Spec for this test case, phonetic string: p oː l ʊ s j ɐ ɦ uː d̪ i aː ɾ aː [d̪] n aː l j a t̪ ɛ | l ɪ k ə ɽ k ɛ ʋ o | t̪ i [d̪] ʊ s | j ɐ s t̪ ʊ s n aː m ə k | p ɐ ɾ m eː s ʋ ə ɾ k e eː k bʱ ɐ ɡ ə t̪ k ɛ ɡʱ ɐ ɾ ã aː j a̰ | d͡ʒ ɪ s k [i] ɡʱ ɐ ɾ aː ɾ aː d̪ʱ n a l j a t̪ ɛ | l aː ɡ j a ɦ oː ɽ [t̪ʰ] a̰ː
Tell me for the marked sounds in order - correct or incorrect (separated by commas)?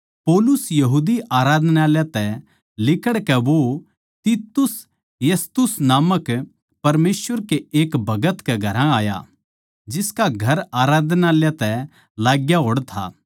correct, incorrect, incorrect, correct